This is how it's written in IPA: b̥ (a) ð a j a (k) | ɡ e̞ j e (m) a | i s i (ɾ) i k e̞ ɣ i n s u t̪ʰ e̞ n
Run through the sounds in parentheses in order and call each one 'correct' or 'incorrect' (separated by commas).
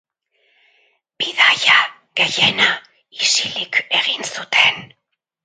incorrect, incorrect, incorrect, incorrect